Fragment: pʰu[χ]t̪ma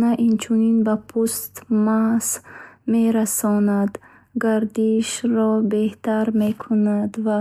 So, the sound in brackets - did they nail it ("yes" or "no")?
no